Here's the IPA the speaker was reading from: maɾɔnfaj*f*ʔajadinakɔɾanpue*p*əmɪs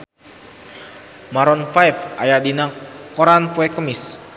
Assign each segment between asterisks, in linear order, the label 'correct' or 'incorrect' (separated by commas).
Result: correct, incorrect